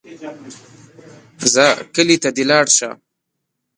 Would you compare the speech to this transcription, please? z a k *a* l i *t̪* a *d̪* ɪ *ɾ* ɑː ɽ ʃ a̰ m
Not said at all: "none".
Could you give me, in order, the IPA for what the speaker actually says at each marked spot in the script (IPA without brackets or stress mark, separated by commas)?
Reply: ə, t̪, d̪, l